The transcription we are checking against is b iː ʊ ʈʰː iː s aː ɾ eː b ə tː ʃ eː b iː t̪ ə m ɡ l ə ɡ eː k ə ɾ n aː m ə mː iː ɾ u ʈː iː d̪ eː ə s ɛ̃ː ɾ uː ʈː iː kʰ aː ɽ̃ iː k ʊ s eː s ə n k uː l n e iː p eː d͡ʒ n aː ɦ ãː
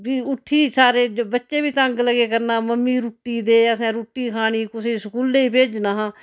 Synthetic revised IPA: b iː ʊ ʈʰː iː s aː ɾ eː b ə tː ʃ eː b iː t̪ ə ŋ ɡ l ə ɡ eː k ə ɾ n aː m ə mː iː ɾ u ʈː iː d̪ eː ə s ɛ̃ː ɾ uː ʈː iː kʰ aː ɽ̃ iː k ʊ s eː s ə k uː l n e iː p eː d͡ʒ n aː ɦ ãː